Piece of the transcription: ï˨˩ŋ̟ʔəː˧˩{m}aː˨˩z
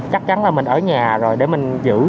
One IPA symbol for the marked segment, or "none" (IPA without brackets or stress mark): ɲ